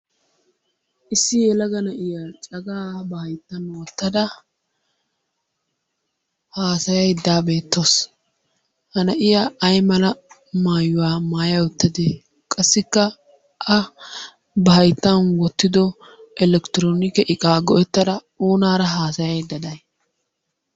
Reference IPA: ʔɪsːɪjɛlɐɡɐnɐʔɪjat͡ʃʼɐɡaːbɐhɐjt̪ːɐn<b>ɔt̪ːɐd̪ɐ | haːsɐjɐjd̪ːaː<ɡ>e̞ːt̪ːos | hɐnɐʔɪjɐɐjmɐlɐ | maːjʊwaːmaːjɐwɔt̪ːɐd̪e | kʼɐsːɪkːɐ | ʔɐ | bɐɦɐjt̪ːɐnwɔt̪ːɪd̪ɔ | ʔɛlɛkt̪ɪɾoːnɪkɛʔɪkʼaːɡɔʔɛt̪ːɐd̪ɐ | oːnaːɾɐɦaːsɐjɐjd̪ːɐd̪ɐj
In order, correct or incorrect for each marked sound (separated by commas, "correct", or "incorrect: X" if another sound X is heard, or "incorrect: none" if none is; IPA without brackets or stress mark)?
incorrect: w, incorrect: b